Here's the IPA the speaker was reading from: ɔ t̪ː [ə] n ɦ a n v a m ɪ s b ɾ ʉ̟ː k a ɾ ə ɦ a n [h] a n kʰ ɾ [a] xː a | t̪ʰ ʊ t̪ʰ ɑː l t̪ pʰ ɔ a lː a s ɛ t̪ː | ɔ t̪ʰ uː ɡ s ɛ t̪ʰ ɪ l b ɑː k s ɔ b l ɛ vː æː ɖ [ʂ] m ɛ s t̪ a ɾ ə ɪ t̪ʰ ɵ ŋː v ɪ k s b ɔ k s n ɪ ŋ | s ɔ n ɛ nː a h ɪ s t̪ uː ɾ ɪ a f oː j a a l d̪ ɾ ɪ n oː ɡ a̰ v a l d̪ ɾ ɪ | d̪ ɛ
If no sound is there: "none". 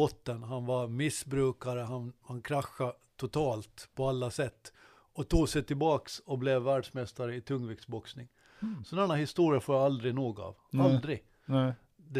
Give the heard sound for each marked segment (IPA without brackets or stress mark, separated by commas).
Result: ə, h, a, ʂ